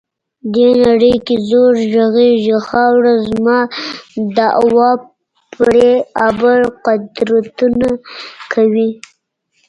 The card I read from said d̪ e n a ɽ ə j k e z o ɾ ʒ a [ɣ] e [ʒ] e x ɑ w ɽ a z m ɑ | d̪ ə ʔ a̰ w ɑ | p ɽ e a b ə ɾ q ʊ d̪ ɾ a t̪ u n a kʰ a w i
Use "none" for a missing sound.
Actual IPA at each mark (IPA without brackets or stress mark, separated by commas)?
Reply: ɣ, ʒ